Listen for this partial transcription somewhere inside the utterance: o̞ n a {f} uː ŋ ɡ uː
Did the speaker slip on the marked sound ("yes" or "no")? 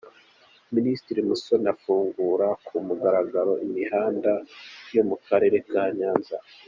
no